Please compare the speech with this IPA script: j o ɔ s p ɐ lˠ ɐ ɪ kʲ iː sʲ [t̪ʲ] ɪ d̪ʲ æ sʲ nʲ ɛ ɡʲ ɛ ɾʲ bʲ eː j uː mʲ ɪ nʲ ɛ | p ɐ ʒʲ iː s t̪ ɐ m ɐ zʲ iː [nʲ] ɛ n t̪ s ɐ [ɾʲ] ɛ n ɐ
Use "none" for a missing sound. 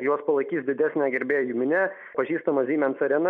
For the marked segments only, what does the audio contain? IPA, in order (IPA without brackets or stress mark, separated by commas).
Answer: d̪ʲ, mʲ, ɾʲ